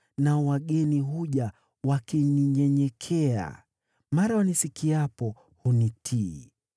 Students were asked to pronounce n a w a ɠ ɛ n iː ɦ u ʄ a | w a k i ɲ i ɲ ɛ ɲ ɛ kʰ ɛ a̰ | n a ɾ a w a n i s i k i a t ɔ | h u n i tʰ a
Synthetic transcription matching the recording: n a w a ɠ ɛ n i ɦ u ʄ a | w a k i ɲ i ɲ ɛ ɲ ɛ kʰ ɛ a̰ | m a ɾ a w a n i s i k i a p ɔ | h u n i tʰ i